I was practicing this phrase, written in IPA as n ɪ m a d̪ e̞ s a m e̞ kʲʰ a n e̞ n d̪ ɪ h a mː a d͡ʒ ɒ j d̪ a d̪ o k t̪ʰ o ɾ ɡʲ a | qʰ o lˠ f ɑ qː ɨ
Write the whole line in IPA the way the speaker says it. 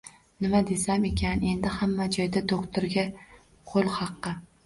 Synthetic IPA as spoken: n ɪ m a d̪ e̞ s a m e̞ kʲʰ a n e̞ n d̪ ɪ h a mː a d͡ʒ ɒ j d̪ a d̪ o k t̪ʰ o ɾ ɡʲ a | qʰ o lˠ h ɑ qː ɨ